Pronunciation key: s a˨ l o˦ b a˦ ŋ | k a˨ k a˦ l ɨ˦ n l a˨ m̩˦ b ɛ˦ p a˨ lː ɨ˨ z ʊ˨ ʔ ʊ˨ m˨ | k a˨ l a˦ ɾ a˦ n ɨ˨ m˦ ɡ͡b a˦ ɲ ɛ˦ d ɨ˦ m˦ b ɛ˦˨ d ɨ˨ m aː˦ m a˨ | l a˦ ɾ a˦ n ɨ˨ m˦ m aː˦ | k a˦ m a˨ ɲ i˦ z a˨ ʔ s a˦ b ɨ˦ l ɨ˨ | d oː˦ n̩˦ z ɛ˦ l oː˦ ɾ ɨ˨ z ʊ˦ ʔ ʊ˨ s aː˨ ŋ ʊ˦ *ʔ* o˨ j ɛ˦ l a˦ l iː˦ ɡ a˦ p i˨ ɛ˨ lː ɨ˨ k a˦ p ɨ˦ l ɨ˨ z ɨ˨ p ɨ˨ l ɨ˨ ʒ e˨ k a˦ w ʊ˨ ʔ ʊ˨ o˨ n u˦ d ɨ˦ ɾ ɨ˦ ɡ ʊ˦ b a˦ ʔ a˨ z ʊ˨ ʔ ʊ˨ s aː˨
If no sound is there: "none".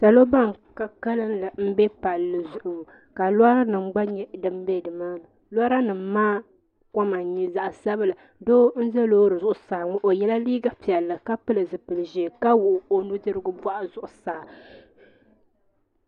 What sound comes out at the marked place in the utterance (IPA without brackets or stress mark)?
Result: ʔ